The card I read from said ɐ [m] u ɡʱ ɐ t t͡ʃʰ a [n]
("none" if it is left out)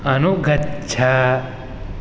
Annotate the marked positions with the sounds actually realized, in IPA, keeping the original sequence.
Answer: n, none

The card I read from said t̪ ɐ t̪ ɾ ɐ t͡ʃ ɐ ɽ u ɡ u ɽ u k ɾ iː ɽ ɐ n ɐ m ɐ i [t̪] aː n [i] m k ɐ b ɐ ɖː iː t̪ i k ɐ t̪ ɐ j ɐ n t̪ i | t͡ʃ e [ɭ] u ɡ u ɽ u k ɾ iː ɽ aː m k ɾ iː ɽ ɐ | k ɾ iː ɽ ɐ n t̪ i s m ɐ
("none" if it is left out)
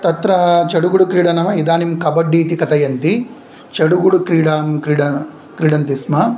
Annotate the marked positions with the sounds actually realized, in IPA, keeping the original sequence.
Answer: d̪, i, ɽ

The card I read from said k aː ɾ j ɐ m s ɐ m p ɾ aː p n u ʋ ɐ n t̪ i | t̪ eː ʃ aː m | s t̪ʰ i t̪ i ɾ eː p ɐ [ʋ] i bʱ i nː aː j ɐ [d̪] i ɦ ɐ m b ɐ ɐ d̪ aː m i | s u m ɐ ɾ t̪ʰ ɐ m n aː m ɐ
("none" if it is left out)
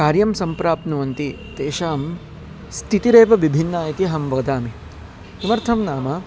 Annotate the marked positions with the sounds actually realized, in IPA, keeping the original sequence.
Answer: ʋ, t̪

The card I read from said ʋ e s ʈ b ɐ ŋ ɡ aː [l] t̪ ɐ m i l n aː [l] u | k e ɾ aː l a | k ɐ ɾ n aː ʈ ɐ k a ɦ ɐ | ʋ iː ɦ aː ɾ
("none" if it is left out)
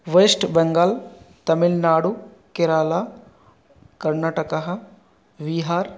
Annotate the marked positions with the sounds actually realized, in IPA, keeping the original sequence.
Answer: l, ɽ

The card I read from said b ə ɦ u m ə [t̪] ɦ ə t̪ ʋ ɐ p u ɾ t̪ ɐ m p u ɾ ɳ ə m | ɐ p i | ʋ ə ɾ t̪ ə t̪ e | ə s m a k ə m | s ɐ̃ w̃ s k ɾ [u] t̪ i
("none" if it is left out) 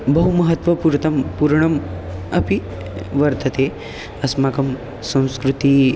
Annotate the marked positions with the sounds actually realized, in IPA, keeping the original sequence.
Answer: none, u

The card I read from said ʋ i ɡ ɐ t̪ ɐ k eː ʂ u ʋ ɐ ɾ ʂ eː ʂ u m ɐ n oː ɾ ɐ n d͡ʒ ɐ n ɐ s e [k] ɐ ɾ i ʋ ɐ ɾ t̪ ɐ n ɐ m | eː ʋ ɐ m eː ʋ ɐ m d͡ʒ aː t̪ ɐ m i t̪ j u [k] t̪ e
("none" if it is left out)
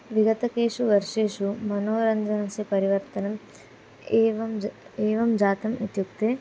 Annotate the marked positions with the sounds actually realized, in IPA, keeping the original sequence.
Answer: p, k

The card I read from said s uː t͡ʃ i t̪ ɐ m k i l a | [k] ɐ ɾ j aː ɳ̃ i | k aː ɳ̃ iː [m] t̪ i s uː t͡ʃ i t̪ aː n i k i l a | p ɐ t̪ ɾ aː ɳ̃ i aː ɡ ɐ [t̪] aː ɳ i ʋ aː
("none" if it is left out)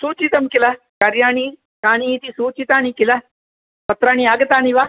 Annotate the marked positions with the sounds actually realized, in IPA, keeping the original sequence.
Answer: k, none, t̪

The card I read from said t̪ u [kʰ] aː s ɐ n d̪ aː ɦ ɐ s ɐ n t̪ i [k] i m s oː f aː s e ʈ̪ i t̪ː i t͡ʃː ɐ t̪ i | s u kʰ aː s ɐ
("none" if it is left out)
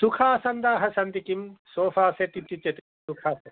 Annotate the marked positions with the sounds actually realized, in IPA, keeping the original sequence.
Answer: kʰ, k

